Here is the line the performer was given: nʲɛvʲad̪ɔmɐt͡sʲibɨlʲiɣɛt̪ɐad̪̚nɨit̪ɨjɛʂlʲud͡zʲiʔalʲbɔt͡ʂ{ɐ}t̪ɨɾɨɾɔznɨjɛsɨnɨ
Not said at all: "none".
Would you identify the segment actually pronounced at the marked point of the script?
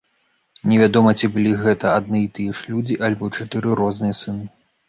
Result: a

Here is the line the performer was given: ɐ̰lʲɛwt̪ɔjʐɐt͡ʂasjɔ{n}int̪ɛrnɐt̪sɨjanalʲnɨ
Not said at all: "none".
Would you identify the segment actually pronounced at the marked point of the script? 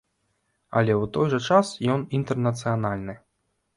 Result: n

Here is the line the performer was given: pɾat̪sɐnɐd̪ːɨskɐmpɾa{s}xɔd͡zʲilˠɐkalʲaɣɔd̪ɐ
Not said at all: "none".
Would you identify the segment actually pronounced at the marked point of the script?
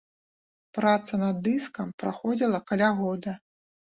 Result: none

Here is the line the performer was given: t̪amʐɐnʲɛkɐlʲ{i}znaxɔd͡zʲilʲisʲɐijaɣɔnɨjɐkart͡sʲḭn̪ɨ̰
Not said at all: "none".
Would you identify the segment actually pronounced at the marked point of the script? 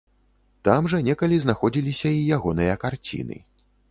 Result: i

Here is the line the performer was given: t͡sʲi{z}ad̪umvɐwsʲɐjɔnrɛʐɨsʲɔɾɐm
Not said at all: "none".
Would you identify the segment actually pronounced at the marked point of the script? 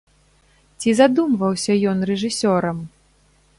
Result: z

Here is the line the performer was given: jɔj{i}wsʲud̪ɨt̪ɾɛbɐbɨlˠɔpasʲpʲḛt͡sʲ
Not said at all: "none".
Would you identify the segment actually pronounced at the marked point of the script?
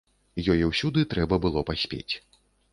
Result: ɛ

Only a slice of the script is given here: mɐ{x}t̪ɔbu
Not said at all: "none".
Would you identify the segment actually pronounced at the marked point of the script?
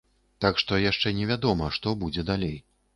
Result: ʂ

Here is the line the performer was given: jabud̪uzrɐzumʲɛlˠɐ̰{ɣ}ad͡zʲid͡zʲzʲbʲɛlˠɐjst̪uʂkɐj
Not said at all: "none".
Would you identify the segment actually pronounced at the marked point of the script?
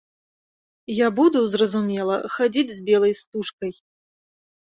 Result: x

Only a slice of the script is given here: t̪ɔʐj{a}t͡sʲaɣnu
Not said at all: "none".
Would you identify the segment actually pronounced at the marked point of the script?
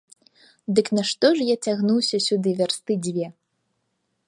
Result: a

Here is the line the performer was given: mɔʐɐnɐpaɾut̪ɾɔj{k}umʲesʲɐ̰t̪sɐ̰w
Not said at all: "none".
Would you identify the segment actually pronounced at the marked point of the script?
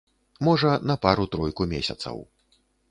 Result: k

